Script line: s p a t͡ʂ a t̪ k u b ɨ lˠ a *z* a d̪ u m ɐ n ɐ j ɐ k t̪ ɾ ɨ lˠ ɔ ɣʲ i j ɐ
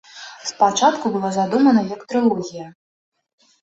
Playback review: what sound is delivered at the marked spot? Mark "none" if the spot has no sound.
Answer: z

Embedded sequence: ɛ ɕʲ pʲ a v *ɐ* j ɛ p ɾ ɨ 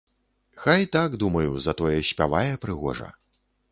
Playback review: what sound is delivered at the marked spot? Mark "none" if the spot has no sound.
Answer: a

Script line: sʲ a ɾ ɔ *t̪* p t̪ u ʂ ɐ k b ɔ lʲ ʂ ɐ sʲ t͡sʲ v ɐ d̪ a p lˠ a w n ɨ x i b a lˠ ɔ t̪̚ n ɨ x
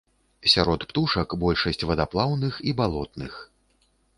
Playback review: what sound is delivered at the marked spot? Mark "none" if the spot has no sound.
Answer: t̪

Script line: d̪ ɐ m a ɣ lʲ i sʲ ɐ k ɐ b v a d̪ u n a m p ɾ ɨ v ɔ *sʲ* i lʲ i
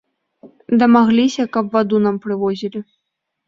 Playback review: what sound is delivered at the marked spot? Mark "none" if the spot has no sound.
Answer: zʲ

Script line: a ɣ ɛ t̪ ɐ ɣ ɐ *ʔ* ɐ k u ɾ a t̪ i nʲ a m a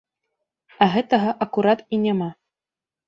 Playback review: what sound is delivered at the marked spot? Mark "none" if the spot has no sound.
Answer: ʔ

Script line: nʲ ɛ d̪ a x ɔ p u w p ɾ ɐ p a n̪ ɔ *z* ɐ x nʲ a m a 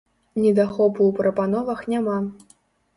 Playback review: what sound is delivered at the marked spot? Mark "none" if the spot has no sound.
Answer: v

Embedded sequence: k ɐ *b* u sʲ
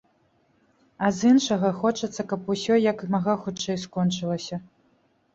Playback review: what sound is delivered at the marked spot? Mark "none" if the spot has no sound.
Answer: p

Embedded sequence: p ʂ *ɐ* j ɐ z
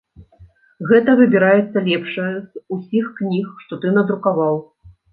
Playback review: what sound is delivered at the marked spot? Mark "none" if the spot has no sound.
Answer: ɐ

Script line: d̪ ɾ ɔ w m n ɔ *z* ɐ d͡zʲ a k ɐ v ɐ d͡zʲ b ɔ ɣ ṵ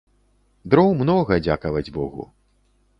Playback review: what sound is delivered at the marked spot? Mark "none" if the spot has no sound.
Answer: ɣ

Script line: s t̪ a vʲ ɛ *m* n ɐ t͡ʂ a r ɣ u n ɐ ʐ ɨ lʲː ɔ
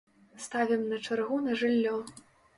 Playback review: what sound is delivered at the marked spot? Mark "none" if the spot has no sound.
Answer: m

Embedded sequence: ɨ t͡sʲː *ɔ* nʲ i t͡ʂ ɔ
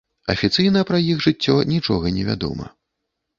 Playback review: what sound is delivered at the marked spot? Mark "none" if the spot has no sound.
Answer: ɔ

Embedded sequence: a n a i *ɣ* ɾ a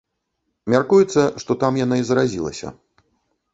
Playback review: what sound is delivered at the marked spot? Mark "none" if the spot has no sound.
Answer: z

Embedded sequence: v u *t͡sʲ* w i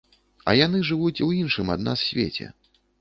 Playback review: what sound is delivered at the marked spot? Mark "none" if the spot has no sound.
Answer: t͡sʲ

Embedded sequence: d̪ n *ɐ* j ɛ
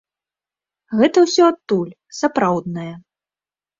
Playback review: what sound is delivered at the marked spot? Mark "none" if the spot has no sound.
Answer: ɐ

